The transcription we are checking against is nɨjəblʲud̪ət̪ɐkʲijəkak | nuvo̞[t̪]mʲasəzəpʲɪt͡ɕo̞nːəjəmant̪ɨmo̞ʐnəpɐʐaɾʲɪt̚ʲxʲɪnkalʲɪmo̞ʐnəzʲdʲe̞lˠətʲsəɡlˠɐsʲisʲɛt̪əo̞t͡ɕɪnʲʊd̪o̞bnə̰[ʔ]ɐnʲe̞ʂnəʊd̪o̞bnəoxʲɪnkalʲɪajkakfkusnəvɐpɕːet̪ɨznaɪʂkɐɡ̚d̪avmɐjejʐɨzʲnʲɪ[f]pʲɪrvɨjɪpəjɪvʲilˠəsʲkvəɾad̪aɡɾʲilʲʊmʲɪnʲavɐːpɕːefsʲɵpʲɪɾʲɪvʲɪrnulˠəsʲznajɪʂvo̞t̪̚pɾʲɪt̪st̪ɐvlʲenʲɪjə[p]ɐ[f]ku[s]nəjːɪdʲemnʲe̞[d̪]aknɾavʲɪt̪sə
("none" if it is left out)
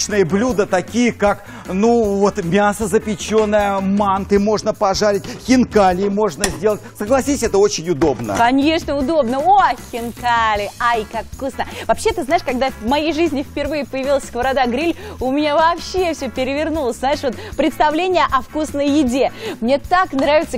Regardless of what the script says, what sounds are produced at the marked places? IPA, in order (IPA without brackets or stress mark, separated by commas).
t̪, k, f, ʔ, f, s, t̪